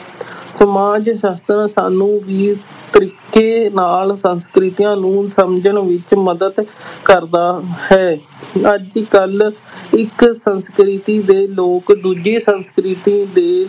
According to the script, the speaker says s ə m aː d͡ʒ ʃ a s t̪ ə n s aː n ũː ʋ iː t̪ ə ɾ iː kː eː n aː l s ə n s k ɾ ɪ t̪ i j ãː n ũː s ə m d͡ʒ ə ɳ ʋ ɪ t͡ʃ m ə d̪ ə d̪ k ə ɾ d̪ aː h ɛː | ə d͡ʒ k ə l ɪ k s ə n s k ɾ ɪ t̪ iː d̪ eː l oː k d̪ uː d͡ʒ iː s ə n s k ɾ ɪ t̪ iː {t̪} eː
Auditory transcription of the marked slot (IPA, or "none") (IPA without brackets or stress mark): d̪